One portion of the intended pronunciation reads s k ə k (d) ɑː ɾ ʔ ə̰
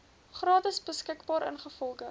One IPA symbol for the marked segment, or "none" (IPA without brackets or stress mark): b